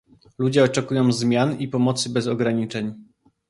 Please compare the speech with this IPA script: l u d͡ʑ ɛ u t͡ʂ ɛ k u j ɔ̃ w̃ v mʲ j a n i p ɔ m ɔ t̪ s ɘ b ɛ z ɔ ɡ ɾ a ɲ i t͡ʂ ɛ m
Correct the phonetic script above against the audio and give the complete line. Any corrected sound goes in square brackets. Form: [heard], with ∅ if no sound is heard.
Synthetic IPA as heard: l u d͡ʑ ɛ [ɔ] t͡ʂ ɛ k u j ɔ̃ w̃ [z] mʲ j a n i p ɔ m ɔ t̪ s ɘ b ɛ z ɔ ɡ ɾ a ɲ i t͡ʂ ɛ [ɲ]